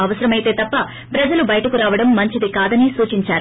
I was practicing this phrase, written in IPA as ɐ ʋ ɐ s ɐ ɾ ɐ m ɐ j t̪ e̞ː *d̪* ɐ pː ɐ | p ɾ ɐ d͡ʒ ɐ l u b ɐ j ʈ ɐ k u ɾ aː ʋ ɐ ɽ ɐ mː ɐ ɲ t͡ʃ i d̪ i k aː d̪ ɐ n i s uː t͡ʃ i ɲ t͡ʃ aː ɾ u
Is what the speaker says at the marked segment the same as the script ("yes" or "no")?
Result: no